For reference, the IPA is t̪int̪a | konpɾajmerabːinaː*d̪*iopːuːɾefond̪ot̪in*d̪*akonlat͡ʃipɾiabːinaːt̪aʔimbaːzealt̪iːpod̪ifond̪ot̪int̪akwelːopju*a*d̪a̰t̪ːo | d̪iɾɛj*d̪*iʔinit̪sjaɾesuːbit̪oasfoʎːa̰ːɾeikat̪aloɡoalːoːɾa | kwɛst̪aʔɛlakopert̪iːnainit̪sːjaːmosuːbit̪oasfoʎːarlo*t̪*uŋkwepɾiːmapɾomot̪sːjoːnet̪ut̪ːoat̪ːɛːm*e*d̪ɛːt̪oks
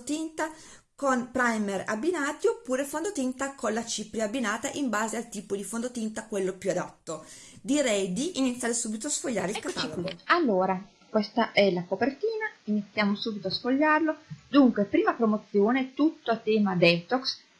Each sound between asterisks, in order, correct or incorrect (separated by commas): incorrect, incorrect, correct, correct, incorrect, incorrect